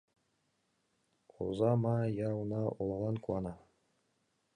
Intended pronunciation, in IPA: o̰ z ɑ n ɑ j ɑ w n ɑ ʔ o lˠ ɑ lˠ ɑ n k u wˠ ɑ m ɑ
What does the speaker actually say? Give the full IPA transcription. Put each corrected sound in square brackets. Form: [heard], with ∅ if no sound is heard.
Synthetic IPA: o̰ z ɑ [m] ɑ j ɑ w n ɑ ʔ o lˠ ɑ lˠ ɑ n k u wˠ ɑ [n] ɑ